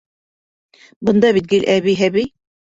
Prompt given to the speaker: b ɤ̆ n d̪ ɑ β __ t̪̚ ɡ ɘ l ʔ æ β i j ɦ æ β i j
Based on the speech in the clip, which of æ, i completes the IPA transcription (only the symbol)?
i